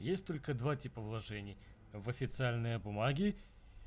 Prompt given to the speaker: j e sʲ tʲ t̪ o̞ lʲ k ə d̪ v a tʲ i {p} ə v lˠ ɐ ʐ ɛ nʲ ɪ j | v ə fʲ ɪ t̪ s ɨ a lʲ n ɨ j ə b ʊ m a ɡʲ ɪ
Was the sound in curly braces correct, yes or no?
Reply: yes